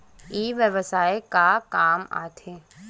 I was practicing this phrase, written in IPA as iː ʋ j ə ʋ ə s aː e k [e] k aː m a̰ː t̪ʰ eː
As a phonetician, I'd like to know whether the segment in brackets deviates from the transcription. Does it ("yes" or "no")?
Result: yes